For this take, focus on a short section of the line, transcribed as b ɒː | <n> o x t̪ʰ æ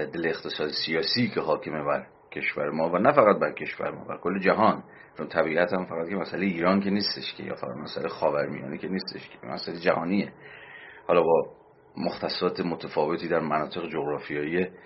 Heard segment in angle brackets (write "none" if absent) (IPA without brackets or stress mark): m